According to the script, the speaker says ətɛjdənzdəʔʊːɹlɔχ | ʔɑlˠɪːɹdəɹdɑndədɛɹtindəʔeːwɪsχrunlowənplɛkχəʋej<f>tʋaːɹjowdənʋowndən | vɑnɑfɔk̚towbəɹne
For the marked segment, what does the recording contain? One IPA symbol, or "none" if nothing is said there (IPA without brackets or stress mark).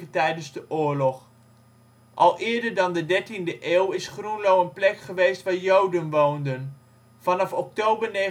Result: s